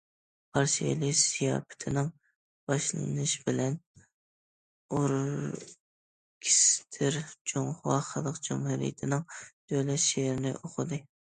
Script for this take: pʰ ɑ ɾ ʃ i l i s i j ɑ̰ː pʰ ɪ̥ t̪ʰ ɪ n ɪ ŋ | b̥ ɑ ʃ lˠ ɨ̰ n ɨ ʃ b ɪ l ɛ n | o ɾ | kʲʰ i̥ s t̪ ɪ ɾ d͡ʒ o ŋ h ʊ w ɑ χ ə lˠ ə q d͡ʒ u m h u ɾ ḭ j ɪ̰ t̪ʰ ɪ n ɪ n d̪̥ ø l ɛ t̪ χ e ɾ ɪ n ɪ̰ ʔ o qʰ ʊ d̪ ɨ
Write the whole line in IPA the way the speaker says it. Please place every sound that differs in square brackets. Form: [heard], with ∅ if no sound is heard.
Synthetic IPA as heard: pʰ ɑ ɾ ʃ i l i s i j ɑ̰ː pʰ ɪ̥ t̪ʰ ɪ n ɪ ŋ | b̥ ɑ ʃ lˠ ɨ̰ n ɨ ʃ b ɪ l ɛ n | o ɾ | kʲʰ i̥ s [t̪ʰ] ɪ ɾ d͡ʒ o ŋ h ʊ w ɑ χ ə lˠ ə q d͡ʒ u m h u ɾ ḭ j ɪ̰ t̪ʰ ɪ n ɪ [ŋ] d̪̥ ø l ɛ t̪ [ʃ] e ɾ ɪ n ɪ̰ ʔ o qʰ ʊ d̪ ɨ